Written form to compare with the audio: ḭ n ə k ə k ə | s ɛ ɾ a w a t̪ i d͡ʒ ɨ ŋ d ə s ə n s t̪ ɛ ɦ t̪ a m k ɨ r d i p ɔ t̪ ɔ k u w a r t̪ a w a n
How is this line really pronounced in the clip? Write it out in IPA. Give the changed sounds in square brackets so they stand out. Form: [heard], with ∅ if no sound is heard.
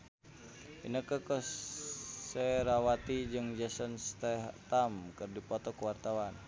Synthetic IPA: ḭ n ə k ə k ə | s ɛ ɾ a w a t̪ i d͡ʒ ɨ ŋ [d͡ʒ] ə s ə n s t̪ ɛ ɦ t̪ a m k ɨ r d i p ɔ t̪ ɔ k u w a r t̪ a w a n